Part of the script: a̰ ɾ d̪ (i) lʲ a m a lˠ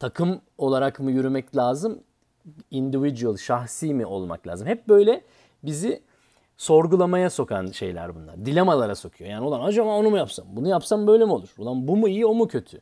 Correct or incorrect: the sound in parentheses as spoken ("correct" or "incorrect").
correct